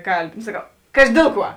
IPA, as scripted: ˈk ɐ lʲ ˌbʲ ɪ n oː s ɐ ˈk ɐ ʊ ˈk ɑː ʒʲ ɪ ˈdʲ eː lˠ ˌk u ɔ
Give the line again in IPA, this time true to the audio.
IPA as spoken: ˈk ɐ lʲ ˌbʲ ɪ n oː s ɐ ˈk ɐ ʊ ˈk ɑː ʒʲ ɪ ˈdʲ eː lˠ ˌk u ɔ